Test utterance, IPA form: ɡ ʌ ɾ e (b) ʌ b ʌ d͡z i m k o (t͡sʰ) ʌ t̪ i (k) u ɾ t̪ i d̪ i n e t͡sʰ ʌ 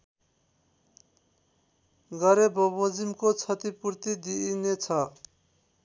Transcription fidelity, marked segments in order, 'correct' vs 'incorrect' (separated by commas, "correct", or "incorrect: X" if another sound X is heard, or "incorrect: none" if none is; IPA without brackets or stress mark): correct, correct, incorrect: p